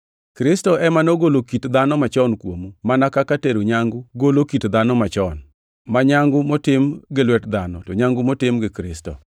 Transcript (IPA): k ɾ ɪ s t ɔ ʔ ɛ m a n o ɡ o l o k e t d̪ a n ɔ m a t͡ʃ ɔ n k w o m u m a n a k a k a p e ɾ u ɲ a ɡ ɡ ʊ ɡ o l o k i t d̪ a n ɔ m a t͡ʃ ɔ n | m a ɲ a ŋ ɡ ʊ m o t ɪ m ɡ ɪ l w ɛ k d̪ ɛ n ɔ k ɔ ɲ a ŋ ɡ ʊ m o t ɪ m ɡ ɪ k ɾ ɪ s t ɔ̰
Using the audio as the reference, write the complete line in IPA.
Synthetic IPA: k ɾ ɪ s t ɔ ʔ ɛ m a n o ɡ o l o k i t d̪ a n ɔ m a t͡ʃ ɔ n k w o m u m a n a k a k a t e ɾ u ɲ a ŋ ɡ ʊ ɡ o l o k i t d̪ a n ɔ m a t͡ʃ ɔ n | m a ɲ a ŋ ɡ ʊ m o t ɪ m ɡ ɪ l w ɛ t d̪ a n ɔ t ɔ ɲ a ŋ ɡ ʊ m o t ɪ m ɡ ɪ k ɾ ɪ s t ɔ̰

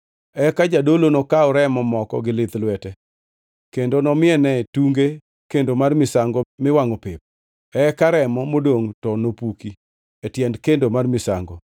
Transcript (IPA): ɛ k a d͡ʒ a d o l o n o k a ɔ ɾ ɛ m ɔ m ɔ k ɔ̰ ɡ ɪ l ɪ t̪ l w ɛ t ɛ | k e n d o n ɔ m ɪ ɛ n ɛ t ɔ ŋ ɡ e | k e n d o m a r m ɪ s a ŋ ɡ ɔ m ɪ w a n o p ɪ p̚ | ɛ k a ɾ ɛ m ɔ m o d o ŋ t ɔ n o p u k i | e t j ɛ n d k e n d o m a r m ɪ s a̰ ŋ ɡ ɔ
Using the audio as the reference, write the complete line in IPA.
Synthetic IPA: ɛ k a d͡ʒ a d o l o n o k a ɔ ɾ ɛ m ɔ m ɔ k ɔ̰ ɡ ɪ l ɪ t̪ l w ɛ t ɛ | k e n d o n ɔ m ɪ ɛ n ɛ t u ŋ ɡ e | k e n d o m a r m ɪ s a ŋ ɡ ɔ m ɪ w a ŋ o p ɪ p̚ | ɛ k a ɾ ɛ m ɔ m o d o ŋ t ɔ n o p u k i | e t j ɛ n d k e n d o m a r m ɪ s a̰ ŋ ɡ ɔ

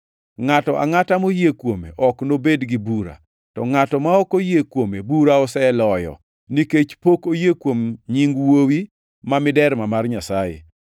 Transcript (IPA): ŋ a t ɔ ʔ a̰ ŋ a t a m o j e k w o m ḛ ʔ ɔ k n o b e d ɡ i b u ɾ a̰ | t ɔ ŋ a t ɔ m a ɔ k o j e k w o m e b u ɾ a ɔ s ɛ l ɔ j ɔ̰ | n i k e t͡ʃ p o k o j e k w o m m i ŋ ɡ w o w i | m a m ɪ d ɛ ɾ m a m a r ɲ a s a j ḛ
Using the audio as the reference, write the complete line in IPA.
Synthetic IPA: ŋ a t ɔ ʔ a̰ ŋ a t a m o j e k w o m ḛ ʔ ɔ k n o b e d ɡ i b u ɾ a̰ | t ɔ ŋ a t ɔ m a ɔ k o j e k w o m e b u ɾ a ɔ s ɛ l ɔ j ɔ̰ | n i k e t͡ʃ p o k o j e k w o m ɲ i ŋ ɡ w o w i | m a m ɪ d ɛ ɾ m a m a r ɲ a s a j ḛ

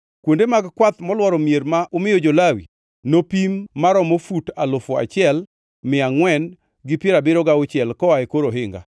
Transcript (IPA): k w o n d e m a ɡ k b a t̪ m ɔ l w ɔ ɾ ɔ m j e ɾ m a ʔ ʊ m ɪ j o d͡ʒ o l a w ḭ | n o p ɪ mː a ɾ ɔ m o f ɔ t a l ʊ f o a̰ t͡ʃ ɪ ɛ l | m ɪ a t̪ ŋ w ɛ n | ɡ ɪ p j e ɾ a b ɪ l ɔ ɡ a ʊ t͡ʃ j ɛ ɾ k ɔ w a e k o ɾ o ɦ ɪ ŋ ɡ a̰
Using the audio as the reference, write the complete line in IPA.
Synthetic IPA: k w o n d e m a ɡ k w a t̪ m ɔ l w ɔ ɾ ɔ m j e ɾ m a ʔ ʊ m ɪ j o d͡ʒ o l a w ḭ | n o p i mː a ɾ ɔ m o f u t a l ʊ f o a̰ t͡ʃ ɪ ɛ l | m ɪ a ŋ w ɛ n | ɡ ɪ p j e ɾ a b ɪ ɾ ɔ ɡ a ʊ t͡ʃ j ɛ l k ɔ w a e k o ɾ o ɦ ɪ ŋ ɡ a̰

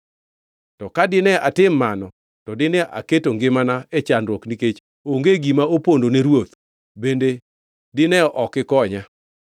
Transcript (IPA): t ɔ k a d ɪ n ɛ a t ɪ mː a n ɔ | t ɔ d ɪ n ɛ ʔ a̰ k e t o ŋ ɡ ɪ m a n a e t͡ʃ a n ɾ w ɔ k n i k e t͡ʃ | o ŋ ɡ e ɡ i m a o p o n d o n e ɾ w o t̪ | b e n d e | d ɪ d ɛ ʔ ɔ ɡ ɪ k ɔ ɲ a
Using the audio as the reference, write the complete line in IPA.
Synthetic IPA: t ɔ k a d ɪ n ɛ a t ɪ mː a n ɔ | t ɔ d ɪ n ɛ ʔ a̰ k e t o ŋ ɡ ɪ m a n a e t͡ʃ a n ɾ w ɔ k n i k e t͡ʃ | o ŋ ɡ e ɡ i m a o p o n d o n e ɾ w o t̪ | b e n d e | d ɪ n ɛ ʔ ɔ k ɪ k ɔ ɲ a

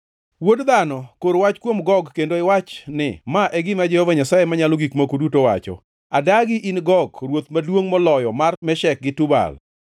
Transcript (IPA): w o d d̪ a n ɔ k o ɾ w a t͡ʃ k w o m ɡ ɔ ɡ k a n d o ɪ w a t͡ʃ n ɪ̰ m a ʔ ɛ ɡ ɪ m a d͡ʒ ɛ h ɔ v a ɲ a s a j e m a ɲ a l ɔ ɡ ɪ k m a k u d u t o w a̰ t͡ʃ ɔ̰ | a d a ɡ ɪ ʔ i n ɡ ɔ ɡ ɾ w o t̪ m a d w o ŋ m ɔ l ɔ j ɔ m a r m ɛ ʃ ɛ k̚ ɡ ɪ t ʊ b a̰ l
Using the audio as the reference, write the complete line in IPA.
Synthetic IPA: w o d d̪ a n ɔ k o ɾ w a t͡ʃ k w o m ɡ ɔ ɡ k e n d o ɪ w a t͡ʃ n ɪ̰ m a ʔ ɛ ɡ ɪ m a d͡ʒ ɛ h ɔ v a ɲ a s a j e m a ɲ a l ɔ ɡ i k m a k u d u t o w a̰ t͡ʃ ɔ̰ | a d a ɡ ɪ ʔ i n ɡ ɔ ɡ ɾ w o t̪ m a d w o ŋ m ɔ l ɔ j ɔ m a r m ɛ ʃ ɛ k̚ ɡ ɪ t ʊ b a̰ l

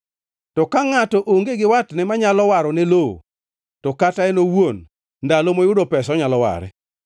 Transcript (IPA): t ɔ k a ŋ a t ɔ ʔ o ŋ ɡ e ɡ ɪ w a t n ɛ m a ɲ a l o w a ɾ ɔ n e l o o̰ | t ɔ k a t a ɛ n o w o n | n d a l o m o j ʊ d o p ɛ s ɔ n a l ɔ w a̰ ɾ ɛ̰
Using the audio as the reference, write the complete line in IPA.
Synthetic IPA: t ɔ k a ŋ a t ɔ ʔ o ŋ ɡ e ɡ ɪ w a t n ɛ m a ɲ a l ɔ w a ɾ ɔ n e l o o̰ | t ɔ k a t a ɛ n o w o n | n d a l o m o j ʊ d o p ɛ s ɔ ɲ a l ɔ w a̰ ɾ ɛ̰

